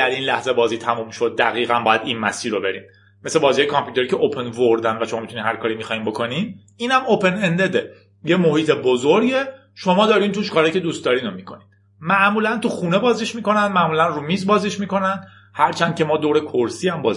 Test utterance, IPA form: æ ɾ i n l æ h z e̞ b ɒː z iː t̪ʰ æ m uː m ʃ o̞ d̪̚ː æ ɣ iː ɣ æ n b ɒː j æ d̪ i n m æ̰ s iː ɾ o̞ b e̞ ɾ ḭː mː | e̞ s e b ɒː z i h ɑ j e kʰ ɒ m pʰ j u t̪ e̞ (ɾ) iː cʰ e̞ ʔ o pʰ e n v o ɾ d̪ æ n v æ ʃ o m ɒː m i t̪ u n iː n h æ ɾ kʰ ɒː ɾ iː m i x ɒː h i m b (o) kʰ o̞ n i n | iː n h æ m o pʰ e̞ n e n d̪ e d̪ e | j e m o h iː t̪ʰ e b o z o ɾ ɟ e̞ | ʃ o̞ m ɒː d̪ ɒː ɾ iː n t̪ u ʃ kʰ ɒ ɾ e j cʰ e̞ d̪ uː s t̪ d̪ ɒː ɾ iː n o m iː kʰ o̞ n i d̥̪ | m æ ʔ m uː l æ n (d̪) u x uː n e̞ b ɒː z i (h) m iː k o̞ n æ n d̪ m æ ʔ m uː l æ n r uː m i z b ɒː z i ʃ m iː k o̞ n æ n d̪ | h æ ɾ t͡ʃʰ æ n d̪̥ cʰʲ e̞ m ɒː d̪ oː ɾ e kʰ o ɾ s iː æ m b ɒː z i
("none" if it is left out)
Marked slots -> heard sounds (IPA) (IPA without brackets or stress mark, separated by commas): ɾ, o, t̪, ʃ